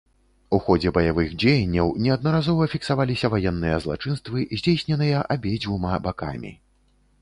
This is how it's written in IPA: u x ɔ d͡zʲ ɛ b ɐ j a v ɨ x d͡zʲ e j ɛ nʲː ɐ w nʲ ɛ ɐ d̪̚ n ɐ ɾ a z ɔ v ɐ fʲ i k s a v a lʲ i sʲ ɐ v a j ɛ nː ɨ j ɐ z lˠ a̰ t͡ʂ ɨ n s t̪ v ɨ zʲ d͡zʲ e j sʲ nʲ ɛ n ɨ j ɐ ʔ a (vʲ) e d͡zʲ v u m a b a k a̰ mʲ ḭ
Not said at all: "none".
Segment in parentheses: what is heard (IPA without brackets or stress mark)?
bʲ